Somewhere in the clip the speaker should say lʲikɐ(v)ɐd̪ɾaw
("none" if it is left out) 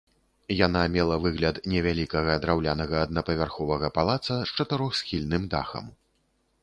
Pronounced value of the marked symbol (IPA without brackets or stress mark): ɣ